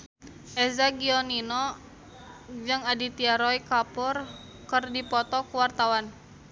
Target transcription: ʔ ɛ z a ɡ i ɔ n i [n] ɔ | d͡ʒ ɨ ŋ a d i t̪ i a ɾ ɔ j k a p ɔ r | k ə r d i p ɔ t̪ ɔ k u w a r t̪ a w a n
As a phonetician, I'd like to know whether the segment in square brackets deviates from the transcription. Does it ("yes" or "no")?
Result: no